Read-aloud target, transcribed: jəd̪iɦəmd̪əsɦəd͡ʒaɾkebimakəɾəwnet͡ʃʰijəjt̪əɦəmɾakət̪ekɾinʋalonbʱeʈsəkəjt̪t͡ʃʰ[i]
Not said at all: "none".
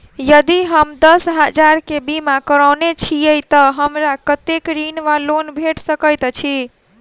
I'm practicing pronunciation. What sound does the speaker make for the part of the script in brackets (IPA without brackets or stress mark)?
i